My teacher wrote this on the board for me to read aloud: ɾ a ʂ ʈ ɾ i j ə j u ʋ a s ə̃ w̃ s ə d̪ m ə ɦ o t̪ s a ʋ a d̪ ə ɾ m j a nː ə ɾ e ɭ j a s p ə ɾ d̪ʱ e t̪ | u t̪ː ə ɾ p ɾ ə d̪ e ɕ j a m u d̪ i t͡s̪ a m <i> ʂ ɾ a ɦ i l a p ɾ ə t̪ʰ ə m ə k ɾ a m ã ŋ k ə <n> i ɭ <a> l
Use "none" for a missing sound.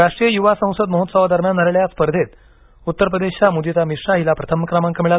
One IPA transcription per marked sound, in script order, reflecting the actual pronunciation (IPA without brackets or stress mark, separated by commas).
i, m, a